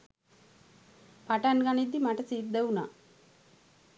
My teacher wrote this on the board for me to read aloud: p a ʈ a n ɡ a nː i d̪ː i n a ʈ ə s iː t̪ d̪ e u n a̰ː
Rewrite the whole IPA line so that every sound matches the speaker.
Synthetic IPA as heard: p a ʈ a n ɡ a n i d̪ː i m a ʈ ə s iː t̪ d̪ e u n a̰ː